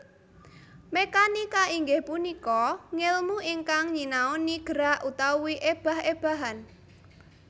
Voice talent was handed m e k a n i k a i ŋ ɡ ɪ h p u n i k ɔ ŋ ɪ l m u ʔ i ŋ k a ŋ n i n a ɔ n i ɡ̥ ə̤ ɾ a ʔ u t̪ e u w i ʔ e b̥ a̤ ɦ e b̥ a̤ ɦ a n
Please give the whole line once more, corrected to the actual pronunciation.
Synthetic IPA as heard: m e k a n i k a i ŋ ɡ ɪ h p u n i k ɔ ŋ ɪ l m u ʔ i ŋ k a ŋ ɲ i n a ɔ n i ɡ̥ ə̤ ɾ a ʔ u t̪ a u w i ʔ e b̥ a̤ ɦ e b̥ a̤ ɦ a n